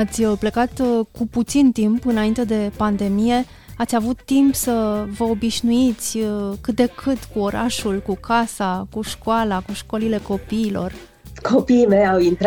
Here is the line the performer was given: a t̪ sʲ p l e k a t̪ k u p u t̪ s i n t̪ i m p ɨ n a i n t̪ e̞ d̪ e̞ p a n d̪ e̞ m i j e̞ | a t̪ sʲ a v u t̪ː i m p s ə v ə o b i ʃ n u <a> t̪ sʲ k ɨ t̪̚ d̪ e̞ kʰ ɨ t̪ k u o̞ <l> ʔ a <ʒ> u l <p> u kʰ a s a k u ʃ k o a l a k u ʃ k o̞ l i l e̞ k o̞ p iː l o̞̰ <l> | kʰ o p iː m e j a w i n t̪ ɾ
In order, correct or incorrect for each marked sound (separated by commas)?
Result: incorrect, incorrect, incorrect, incorrect, incorrect